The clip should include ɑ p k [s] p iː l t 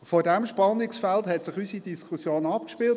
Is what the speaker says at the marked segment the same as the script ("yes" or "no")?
no